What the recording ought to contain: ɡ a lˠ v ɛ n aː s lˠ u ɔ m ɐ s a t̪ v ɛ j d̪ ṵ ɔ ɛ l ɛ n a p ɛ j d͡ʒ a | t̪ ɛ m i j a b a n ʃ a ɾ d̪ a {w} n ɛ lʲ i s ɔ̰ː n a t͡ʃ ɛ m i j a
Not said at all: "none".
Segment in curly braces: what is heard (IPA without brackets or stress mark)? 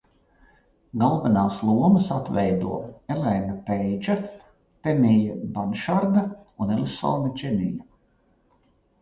u